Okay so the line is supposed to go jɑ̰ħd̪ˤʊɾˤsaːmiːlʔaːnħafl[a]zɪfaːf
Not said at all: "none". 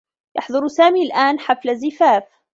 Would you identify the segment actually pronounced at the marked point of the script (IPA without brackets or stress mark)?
a